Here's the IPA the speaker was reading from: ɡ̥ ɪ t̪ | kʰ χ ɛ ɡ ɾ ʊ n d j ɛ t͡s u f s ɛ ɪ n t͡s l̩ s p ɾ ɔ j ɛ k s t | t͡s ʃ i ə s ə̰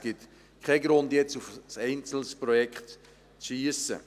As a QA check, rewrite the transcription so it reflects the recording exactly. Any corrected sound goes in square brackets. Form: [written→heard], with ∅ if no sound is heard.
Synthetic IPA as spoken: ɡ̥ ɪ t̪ | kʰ χ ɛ ɡ ɾ ʊ n d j ɛ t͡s u f s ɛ ɪ n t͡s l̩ s p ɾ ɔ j ɛ k [s→χ] t | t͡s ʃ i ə s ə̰